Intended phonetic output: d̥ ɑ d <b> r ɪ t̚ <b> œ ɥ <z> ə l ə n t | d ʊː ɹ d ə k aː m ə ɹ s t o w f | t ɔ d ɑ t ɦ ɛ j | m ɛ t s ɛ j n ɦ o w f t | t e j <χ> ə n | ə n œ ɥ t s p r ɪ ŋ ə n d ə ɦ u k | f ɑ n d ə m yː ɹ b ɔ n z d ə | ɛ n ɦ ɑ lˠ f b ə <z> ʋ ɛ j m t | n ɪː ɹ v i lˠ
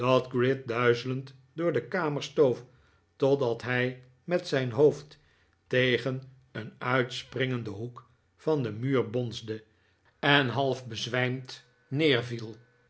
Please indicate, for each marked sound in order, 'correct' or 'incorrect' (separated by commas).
incorrect, incorrect, correct, correct, correct